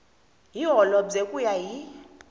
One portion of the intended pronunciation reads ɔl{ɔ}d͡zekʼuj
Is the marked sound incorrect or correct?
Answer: correct